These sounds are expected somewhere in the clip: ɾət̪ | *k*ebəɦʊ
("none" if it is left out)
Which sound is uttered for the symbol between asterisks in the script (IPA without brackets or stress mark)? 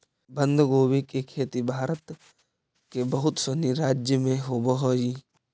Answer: k